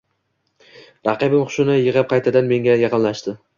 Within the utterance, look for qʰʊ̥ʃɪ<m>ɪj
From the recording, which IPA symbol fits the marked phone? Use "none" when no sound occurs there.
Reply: n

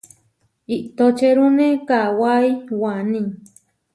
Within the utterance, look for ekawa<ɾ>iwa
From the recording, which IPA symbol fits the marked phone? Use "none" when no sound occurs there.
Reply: none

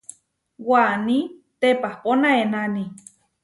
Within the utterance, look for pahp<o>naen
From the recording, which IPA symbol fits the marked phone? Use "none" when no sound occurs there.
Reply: o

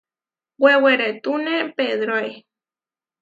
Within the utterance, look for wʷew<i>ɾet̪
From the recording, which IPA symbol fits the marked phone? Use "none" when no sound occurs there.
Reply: e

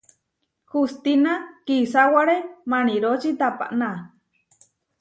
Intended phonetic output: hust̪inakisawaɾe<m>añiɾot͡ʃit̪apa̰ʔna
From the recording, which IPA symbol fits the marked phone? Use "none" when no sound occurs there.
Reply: m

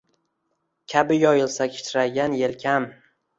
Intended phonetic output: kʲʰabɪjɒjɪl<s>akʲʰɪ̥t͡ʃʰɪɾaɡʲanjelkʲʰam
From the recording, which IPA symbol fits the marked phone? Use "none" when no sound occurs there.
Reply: s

